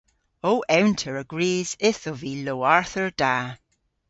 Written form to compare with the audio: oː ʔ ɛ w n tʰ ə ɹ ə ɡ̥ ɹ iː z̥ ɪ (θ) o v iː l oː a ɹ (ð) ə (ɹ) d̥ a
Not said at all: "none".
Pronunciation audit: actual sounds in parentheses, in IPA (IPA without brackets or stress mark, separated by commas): θ, θ, ɹ